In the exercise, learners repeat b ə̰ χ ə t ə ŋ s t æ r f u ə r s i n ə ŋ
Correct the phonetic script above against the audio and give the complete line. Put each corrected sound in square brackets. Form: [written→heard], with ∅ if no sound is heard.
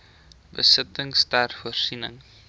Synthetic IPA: b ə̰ [χ→s] ə t ə ŋ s t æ r f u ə r s i n ə ŋ